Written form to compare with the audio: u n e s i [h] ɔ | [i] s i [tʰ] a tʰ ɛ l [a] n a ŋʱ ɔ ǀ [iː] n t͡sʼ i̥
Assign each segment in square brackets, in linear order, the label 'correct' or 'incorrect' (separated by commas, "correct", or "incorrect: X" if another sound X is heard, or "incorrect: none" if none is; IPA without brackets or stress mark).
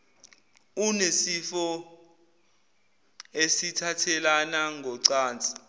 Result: incorrect: f, incorrect: e, correct, correct, incorrect: aː